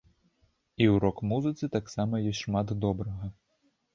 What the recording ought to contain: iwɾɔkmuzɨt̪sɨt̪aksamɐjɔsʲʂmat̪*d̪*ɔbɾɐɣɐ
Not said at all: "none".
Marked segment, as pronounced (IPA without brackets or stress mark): d̪